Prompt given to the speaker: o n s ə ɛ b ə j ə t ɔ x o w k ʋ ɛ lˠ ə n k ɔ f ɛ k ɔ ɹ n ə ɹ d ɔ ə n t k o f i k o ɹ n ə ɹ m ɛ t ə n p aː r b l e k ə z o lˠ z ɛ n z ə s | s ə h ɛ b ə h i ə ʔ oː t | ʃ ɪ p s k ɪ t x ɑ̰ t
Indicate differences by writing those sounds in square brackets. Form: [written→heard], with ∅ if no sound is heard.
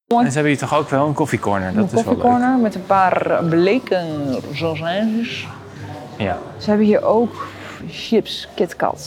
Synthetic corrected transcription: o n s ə ɛ b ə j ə t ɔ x o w k ʋ ɛ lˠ ə n k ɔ f [ɛ→i] k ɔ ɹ n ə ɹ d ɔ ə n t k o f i k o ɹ n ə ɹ m ɛ t ə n p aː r b l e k ə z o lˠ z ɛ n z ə s | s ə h ɛ b ə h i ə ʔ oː [t→k] | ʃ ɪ p s k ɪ t [x→k] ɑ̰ t